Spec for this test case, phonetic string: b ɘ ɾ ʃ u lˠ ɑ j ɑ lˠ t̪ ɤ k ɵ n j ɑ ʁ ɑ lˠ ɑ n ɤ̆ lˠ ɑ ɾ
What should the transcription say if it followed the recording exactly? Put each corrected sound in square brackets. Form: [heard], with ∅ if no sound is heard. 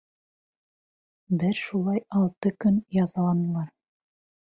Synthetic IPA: b ɘ ɾ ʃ u lˠ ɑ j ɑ lˠ t̪ ɤ k ɵ n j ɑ [z] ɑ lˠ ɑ n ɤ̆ lˠ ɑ ɾ

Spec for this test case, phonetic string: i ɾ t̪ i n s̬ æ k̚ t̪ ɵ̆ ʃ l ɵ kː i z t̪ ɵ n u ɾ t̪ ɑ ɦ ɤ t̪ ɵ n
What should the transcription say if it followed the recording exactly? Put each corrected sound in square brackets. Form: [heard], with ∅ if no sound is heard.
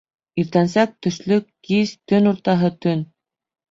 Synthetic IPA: i ɾ t̪ [æ] n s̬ æ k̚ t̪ ɵ̆ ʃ l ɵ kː i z t̪ ɵ n u ɾ t̪ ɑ ɦ ɤ t̪ ɵ n

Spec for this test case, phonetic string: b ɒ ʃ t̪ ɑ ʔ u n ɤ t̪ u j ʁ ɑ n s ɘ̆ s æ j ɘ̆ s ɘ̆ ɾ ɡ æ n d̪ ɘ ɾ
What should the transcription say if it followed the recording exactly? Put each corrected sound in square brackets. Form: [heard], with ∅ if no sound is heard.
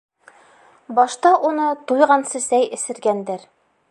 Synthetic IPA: b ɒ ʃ t̪ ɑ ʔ u n ɤ t̪ u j ʁ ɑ n s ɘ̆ s æ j ɘ̆ s ɘ̆ ɾ ɡ æ n d̪ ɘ ɾ

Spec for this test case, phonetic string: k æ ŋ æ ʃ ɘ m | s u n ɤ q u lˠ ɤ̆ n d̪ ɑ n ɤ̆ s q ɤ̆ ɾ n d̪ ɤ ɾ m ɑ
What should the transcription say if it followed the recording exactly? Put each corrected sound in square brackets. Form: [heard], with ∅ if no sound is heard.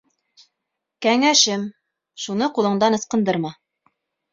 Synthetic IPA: k æ ŋ æ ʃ ɘ m | [ʃ] u n ɤ q u lˠ ɤ̆ [ɴ] d̪ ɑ n ɤ̆ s q ɤ̆ [∅] n d̪ ɤ ɾ m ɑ

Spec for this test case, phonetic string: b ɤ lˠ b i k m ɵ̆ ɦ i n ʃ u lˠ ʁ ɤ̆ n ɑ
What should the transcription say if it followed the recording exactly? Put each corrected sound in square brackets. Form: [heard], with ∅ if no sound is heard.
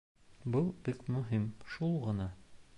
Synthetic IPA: b ɤ lˠ b i k m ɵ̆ ɦ i [m] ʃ u lˠ ʁ ɤ̆ n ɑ

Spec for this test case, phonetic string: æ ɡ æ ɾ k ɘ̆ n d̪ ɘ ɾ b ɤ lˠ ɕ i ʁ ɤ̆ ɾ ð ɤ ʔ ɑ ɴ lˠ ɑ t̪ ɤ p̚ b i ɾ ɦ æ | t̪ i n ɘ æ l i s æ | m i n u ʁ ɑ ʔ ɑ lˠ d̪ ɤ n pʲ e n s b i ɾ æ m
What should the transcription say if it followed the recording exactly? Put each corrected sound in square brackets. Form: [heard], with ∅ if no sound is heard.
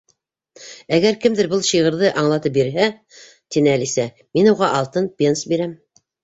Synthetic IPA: æ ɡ æ ɾ k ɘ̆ [m] d̪ ɘ ɾ b ɤ lˠ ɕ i ʁ ɤ̆ ɾ ð ɤ ʔ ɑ ɴ lˠ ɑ t̪ ɤ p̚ b i ɾ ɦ æ | t̪ i n ɘ æ l i s æ | m i n u ʁ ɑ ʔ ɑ lˠ [t̪] ɤ n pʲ e n s b i ɾ æ m

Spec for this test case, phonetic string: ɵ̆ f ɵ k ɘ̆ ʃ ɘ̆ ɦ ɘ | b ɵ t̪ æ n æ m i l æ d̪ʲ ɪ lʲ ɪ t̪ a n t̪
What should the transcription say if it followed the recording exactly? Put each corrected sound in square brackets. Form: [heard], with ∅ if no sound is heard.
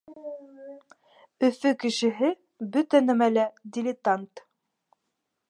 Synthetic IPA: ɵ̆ f ɵ k ɘ̆ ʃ ɘ̆ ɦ ɘ | b ɵ t̪ æ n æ m [æ] l æ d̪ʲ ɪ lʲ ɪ t̪ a n t̪

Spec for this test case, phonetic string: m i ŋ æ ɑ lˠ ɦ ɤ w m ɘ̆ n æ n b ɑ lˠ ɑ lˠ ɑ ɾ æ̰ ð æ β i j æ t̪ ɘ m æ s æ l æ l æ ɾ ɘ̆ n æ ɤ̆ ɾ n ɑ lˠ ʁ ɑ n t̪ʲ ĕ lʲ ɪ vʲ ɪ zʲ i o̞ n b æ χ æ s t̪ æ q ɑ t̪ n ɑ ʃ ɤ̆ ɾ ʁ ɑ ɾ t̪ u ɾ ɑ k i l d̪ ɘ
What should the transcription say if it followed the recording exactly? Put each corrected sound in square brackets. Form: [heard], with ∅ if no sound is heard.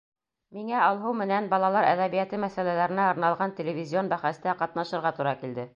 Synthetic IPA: m i ŋ æ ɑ lˠ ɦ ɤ w m ɘ̆ n æ n b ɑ lˠ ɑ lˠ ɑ ɾ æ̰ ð æ β i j æ t̪ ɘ m æ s æ l æ l æ ɾ ɘ̆ n æ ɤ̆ ɾ n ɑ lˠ ʁ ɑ n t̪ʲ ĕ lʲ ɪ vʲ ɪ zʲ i o̞ n b æ χ æ s t̪ æ q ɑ t̪ n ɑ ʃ ɤ̆ ɾ ʁ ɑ [∅] t̪ u ɾ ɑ k i l d̪ ɘ

